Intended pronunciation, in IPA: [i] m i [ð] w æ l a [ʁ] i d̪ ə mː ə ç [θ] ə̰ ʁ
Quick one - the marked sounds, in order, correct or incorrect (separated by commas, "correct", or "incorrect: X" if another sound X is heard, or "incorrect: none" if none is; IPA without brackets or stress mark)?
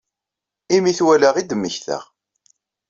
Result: correct, incorrect: θ, correct, correct